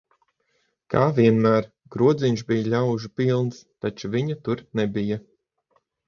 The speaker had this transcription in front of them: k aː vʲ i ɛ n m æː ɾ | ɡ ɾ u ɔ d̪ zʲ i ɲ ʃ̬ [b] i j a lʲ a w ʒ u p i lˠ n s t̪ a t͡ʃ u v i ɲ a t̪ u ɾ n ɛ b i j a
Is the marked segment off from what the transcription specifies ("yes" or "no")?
no